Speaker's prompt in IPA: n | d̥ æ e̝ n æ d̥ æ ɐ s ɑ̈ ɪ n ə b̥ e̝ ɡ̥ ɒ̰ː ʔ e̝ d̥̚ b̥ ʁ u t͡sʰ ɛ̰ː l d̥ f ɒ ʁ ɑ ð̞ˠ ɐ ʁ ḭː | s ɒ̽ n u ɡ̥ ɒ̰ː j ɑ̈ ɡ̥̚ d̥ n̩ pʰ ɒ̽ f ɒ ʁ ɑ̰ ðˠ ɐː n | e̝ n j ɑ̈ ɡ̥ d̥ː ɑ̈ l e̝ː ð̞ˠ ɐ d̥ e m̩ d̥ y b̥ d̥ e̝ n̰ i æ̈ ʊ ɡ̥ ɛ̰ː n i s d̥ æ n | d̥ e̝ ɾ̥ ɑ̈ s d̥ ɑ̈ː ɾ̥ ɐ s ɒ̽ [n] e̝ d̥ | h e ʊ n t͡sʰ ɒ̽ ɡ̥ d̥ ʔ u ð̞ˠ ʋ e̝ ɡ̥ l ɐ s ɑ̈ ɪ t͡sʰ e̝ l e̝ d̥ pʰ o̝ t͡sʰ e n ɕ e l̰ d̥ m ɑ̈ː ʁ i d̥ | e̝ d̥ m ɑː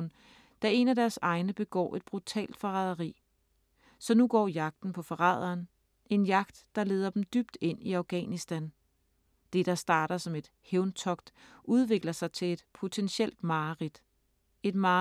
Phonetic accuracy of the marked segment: incorrect: m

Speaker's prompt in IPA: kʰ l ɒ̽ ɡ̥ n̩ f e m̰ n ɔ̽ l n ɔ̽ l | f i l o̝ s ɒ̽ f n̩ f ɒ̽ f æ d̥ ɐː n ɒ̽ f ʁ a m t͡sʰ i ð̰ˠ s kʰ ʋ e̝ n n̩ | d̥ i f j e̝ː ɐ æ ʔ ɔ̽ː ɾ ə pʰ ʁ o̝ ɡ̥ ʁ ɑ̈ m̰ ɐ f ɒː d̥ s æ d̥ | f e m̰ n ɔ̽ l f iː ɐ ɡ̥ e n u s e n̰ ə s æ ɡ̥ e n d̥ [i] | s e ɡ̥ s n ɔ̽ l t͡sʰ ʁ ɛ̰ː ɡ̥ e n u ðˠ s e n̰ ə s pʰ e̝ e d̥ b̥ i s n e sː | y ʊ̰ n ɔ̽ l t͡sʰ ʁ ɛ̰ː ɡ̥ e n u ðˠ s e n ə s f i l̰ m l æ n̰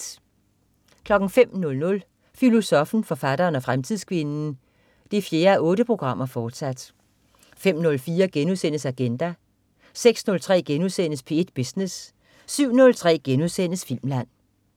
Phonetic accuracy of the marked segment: incorrect: æ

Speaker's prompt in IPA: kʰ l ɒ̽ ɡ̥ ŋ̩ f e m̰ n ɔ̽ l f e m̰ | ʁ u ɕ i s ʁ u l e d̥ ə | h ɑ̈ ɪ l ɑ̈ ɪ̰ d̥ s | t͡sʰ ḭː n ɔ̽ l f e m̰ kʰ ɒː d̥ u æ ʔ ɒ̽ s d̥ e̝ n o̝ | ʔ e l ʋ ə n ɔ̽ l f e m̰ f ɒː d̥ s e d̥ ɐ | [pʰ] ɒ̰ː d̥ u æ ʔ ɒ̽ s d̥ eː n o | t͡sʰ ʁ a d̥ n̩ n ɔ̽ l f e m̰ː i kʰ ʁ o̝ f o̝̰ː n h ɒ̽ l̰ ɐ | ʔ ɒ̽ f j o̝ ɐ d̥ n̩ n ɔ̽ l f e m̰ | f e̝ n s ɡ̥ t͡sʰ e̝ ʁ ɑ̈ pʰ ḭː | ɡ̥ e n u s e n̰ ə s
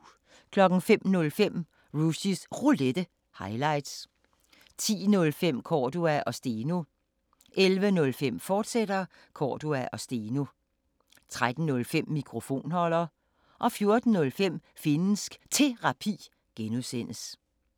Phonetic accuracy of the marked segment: incorrect: kʰ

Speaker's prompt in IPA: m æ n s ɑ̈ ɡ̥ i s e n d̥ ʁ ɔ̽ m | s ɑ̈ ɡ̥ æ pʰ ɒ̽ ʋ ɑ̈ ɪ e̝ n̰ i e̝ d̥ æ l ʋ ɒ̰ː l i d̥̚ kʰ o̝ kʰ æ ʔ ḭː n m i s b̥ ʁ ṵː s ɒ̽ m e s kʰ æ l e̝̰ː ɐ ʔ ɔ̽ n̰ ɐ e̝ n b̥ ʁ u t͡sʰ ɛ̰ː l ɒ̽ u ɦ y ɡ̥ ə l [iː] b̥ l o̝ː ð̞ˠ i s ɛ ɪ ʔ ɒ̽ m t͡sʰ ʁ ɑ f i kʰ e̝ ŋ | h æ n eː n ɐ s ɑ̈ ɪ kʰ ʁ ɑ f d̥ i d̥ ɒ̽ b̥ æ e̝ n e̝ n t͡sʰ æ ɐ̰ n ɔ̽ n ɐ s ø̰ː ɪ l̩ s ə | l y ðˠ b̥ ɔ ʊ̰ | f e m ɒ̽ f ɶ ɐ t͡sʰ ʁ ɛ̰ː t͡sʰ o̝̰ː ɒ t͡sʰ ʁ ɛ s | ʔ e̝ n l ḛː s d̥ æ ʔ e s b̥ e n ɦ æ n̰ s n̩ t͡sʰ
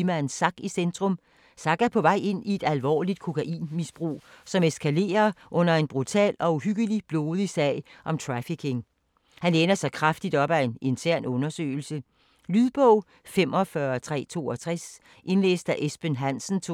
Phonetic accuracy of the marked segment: incorrect: i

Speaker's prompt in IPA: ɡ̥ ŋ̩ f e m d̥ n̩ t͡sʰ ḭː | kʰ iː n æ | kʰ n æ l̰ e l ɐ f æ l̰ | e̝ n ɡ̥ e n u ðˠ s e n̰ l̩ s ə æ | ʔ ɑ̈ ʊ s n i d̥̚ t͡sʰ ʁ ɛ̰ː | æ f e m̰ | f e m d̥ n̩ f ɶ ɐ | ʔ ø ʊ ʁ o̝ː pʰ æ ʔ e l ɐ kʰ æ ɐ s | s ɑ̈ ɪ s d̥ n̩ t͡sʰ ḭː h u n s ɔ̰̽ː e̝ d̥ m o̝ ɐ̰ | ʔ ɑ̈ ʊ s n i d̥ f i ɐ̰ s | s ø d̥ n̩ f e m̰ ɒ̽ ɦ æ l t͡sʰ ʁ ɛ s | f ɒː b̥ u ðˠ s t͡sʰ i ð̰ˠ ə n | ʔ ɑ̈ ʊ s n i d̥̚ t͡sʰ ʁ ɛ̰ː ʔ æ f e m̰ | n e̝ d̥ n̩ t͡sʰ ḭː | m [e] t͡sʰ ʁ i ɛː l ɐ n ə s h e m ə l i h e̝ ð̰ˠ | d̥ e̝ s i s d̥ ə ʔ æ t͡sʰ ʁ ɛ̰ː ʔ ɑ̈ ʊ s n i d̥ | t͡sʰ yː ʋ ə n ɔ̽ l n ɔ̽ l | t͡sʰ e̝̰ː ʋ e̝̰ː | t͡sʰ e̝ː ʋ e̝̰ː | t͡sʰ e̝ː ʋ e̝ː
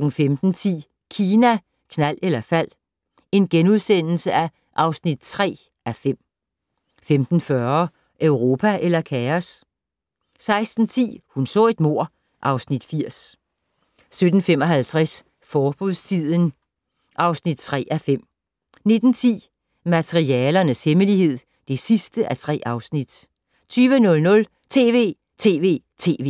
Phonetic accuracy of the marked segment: incorrect: æ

